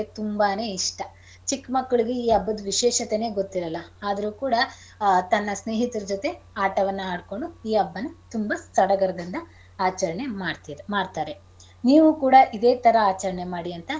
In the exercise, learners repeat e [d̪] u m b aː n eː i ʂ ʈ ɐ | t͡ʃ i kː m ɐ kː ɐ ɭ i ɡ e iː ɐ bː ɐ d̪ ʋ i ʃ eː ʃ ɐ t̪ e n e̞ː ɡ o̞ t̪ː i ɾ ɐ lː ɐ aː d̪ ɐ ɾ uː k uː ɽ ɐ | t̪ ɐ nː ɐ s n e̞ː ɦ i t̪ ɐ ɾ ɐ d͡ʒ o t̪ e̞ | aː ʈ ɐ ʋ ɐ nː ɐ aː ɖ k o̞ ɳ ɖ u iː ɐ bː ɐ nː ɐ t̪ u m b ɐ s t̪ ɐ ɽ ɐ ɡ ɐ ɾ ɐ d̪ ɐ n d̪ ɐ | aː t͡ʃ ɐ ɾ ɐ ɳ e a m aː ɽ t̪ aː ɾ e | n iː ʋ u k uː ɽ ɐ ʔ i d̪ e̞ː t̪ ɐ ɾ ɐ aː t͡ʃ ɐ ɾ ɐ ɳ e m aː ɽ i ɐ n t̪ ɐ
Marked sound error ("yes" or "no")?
yes